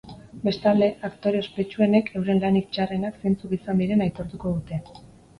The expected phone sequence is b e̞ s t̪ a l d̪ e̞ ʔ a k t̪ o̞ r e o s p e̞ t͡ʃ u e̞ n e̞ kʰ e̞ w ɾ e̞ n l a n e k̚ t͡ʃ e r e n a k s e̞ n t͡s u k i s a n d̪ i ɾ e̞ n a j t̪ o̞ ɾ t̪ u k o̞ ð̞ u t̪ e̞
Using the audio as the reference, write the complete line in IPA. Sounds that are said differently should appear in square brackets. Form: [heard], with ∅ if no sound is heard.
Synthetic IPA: b e̞ s t̪ a l d̪ e̞ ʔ a k t̪ o̞ [ɾ] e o s p e̞ t͡ʃ u e̞ n e̞ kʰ e̞ w ɾ e̞ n l a n [i] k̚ t͡ʃ [a] r e n a k s e̞ n t͡s u k i s a n d̪ i ɾ e̞ n a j t̪ o̞ ɾ t̪ u k o̞ ð̞ u t̪ e̞